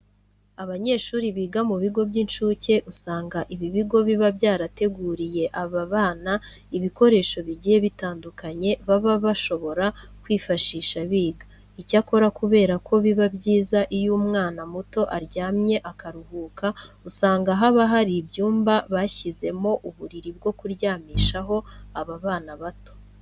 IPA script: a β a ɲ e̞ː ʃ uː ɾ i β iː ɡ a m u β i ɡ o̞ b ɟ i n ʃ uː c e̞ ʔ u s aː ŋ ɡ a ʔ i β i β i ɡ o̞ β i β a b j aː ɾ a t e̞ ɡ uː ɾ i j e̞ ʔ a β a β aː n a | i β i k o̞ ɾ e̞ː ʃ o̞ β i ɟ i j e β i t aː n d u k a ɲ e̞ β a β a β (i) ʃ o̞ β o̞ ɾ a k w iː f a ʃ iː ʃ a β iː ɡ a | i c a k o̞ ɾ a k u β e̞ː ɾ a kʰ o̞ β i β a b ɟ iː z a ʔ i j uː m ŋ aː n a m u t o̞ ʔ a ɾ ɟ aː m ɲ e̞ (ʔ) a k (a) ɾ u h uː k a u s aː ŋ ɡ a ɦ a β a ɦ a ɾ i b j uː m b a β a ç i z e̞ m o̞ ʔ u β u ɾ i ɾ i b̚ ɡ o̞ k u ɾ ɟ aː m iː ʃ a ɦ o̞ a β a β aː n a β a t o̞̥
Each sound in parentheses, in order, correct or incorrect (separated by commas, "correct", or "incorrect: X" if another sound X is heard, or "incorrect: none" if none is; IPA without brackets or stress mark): incorrect: a, correct, correct